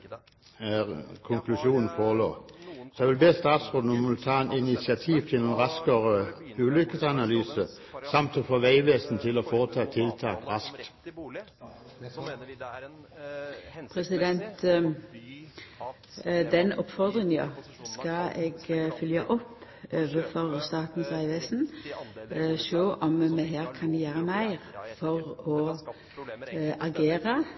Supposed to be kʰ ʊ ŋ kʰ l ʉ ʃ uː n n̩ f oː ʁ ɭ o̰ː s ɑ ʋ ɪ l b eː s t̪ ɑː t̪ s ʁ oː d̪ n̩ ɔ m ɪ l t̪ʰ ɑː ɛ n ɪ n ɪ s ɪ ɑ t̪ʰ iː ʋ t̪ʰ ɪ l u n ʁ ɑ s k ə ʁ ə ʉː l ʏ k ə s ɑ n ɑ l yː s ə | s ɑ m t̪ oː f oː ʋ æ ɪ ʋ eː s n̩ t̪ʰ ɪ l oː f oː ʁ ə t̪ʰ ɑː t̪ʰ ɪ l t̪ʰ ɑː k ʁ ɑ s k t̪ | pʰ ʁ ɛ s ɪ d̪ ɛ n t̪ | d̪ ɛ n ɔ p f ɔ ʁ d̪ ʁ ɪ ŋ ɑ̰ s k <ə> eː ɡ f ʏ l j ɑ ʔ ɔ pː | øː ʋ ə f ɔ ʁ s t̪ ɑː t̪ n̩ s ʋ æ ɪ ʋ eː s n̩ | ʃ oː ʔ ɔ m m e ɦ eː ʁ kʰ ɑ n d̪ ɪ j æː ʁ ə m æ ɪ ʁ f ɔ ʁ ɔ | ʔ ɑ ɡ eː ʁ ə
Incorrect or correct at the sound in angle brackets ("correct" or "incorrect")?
incorrect